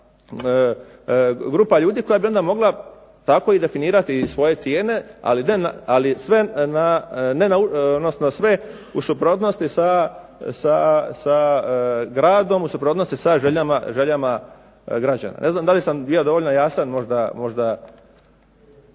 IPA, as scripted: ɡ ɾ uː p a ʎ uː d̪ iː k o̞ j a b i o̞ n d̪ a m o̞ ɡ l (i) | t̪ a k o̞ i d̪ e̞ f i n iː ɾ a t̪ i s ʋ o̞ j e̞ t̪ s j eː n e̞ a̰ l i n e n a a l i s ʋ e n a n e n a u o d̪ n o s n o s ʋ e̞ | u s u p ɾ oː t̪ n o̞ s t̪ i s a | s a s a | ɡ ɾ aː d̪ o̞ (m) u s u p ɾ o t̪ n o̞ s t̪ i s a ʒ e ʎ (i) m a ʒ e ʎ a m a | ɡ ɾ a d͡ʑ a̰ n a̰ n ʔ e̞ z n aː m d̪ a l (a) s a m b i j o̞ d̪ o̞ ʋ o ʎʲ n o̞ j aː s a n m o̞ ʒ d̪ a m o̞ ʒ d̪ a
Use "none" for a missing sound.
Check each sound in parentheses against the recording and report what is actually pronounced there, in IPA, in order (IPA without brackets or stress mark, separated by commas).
a, m, a, i